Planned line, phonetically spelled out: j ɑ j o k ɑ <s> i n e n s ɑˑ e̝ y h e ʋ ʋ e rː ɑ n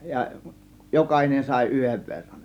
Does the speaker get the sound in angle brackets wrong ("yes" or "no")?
yes